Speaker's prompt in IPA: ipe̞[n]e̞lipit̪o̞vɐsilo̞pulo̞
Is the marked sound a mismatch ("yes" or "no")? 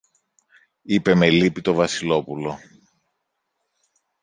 yes